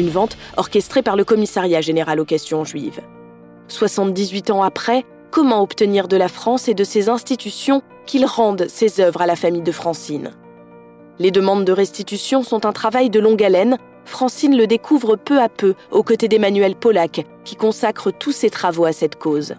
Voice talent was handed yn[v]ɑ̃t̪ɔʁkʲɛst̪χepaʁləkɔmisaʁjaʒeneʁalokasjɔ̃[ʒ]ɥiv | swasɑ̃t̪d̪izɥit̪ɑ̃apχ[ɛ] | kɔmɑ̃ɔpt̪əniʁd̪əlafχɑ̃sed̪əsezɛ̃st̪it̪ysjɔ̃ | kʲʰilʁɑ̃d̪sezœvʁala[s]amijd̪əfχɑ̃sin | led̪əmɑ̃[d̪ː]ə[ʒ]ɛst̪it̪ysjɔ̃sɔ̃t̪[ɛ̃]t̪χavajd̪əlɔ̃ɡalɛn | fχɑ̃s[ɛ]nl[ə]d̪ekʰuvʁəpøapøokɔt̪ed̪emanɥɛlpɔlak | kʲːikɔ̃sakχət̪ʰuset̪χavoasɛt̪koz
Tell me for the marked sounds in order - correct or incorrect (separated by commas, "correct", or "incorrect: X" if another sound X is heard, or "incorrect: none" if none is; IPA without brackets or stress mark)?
correct, correct, correct, incorrect: f, correct, incorrect: ʁ, correct, incorrect: i, correct